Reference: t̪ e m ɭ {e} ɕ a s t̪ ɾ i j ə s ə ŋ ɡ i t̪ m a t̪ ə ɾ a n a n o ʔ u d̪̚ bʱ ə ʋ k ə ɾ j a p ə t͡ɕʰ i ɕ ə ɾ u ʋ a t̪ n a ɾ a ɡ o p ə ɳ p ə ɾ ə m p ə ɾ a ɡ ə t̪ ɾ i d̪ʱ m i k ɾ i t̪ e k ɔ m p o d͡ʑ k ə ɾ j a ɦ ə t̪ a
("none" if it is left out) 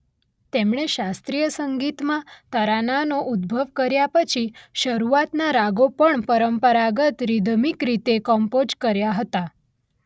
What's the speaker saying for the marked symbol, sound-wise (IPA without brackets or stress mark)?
e